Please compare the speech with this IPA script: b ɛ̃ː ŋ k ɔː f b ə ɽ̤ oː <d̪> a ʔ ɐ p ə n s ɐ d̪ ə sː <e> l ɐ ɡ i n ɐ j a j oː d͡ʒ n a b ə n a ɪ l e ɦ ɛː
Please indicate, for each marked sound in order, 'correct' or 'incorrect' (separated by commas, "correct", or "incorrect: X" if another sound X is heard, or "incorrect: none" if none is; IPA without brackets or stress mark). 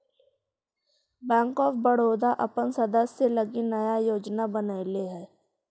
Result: correct, correct